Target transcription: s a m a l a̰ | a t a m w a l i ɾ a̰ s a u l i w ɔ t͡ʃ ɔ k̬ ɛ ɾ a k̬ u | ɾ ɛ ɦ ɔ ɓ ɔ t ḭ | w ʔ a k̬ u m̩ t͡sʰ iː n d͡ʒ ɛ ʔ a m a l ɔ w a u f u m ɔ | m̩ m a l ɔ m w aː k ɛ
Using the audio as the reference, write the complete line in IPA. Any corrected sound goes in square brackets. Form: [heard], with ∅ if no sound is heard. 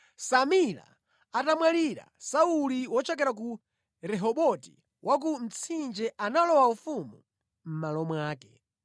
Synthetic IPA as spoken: s a m [i] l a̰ | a t a m w a l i ɾ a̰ s a u l i w ɔ t͡ʃ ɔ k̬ ɛ ɾ a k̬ u | ɾ ɛ ɦ ɔ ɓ ɔ t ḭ | w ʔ a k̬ u m̩ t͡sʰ [i] n d͡ʒ ɛ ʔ a [n] a l ɔ w a u f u m [u] | m̩ m a l ɔ m w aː k ɛ